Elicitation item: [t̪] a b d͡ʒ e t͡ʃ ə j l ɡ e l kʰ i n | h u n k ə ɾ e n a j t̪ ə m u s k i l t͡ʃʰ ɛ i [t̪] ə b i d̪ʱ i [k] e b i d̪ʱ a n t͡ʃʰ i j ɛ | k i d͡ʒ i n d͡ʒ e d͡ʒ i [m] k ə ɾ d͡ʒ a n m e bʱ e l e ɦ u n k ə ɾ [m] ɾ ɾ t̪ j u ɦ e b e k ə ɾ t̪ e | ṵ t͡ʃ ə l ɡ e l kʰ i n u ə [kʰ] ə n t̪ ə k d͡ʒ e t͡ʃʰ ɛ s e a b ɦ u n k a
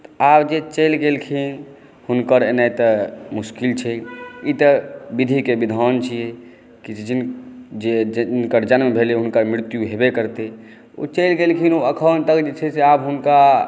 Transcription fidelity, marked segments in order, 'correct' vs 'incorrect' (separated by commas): correct, correct, correct, incorrect, correct, correct